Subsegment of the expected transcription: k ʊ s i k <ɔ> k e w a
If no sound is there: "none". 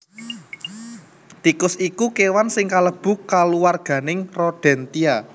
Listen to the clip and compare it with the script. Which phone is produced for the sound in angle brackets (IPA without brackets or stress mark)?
u